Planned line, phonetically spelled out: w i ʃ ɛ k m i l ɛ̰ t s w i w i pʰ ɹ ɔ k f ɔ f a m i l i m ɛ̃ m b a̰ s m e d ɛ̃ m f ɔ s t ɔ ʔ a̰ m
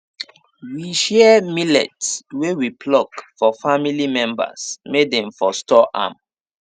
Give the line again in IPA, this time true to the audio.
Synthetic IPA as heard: w i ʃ ɛ m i l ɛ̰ t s w e w i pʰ l ɔ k f ɔ f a m i l i m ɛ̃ m b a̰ s m e d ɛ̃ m f ɔ s t ɔ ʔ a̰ m